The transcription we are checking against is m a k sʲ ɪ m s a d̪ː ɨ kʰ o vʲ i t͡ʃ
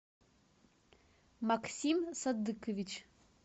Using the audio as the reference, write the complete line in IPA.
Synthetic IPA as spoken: m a k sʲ i m s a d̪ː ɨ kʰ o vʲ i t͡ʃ